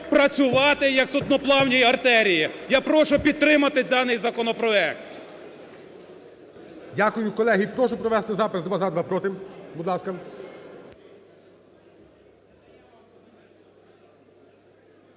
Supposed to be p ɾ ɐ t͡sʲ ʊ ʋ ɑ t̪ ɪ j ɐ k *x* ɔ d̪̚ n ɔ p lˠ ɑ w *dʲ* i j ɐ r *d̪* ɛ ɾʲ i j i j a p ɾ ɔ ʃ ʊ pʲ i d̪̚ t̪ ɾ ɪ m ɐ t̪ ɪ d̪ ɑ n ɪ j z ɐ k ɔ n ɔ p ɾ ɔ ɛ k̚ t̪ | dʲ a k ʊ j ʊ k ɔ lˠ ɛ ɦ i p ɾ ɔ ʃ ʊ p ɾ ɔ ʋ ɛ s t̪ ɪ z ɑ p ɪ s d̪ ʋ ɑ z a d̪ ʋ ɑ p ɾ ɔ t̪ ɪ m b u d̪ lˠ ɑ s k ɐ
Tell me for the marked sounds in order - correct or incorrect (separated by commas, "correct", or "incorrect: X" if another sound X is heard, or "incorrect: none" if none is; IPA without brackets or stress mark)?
incorrect: s, incorrect: nʲ, incorrect: t̪